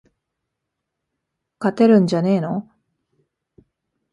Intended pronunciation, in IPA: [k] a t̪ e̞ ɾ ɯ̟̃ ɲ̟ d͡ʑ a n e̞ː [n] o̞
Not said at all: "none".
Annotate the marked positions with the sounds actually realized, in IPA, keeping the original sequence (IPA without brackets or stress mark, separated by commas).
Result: k, n